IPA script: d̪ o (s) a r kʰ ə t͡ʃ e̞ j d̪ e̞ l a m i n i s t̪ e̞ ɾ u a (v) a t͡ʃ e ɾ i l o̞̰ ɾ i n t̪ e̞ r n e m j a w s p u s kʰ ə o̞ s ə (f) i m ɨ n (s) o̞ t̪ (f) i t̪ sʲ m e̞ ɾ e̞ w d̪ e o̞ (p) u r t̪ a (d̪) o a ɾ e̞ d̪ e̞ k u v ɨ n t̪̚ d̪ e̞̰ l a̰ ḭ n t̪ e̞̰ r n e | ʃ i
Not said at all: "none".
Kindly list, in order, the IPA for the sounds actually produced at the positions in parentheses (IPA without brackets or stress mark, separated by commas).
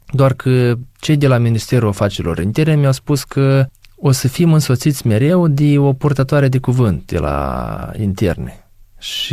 none, f, f, s, s, p, t̪